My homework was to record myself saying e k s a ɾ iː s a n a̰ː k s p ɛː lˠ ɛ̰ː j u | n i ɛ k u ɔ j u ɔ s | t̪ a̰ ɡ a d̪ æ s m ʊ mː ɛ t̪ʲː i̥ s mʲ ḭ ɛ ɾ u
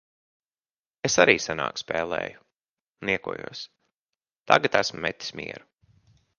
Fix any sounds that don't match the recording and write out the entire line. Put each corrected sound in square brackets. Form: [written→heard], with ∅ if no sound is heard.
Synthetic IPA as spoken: e [k→∅] s a ɾ iː s a n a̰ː k s p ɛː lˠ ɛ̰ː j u | n i ɛ k u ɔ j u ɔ s | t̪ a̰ ɡ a [d̪→t̪] æ s m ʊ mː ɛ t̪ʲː i̥ s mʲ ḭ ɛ ɾ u

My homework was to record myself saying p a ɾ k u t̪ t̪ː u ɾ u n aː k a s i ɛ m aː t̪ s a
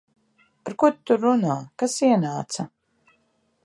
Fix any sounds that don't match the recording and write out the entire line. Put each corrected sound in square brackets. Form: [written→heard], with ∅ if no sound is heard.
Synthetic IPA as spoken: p a ɾ k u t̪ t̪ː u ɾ u n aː k a s i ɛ [m→n] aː t̪ s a

